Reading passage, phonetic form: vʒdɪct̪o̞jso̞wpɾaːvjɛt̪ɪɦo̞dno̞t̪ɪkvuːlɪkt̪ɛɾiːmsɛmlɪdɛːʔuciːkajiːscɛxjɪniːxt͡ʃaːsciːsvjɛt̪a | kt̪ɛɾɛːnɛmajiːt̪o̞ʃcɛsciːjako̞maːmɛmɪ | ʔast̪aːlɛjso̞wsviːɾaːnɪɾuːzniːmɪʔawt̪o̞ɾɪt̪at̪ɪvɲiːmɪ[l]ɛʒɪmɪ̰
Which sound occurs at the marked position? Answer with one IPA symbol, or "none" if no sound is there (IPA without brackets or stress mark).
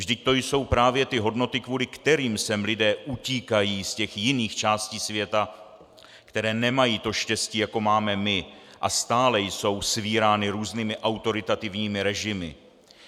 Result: ɾ